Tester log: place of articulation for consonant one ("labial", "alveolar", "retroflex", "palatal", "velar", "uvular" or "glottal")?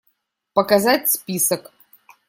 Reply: labial